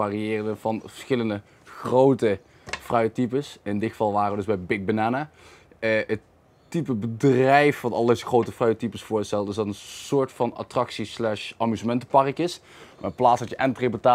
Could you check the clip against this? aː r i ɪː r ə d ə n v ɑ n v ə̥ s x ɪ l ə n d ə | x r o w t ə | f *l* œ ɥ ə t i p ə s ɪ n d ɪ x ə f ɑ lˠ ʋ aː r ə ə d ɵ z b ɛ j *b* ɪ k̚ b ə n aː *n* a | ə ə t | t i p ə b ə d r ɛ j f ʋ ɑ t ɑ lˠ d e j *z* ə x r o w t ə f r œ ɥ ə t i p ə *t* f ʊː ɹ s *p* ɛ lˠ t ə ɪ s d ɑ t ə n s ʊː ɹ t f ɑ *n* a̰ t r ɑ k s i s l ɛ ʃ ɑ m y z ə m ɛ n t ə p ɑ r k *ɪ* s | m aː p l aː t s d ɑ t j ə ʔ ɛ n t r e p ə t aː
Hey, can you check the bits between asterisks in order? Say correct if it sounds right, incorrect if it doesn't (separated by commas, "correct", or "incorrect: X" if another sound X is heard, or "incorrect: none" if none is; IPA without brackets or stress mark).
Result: incorrect: r, correct, correct, correct, incorrect: s, incorrect: t, correct, correct